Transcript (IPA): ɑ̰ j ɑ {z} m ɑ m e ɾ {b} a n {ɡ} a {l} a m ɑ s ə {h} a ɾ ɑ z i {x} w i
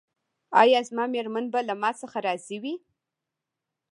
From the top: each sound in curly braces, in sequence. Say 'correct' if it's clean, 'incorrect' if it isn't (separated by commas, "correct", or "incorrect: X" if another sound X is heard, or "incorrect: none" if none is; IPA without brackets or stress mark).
correct, incorrect: m, incorrect: b, correct, incorrect: x, incorrect: none